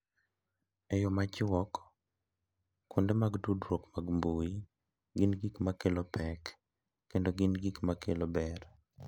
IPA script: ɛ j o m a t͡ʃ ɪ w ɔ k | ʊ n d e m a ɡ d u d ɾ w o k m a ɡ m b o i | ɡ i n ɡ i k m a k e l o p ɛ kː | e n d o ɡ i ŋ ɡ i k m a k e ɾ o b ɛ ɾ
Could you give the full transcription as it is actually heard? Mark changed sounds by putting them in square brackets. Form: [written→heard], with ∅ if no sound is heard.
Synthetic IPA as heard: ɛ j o m a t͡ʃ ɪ w ɔ k | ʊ n d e m a ɡ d u d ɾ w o k m a ɡ m b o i | ɡ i n ɡ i k m a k e l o p ɛ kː | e n d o ɡ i [ŋ→n] ɡ i k m a k e [ɾ→l] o b ɛ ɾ

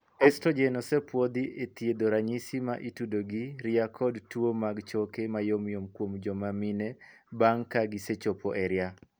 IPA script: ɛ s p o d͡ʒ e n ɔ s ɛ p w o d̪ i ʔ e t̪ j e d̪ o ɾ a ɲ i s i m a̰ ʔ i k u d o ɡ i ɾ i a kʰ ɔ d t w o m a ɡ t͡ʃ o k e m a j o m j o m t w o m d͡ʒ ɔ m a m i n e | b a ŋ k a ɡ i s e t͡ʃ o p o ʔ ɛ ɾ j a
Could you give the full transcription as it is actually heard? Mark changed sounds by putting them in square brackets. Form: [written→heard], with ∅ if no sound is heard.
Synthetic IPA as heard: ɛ s [p→t] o d͡ʒ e n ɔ s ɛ p w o d̪ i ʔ e t̪ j e d̪ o ɾ a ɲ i s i m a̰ ʔ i [k→t] u d o ɡ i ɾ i a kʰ ɔ d t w o m a ɡ t͡ʃ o k e m a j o m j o m [t→k] w o m d͡ʒ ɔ m a m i n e | b a ŋ k a ɡ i s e t͡ʃ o p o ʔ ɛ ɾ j a

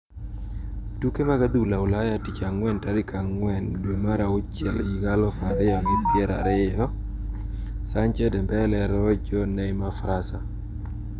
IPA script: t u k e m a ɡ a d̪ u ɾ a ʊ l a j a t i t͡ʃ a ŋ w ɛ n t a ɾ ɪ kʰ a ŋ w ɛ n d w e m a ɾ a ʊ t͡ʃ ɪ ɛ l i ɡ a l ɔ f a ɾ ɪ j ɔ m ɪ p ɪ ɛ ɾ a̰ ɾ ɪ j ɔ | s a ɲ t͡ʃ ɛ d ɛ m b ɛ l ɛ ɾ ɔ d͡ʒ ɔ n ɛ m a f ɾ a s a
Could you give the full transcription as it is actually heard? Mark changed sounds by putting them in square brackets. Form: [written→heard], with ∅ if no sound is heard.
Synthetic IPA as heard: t u k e m a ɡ a d̪ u [ɾ→l] a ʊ l a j a t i t͡ʃ a ŋ w ɛ n t a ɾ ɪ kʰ a ŋ w ɛ n d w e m a ɾ a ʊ t͡ʃ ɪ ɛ l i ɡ a l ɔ f a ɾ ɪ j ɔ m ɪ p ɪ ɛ ɾ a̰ ɾ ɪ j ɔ | s a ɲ t͡ʃ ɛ d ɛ m b ɛ l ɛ ɾ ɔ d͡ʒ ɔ n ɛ m a f ɾ a s a

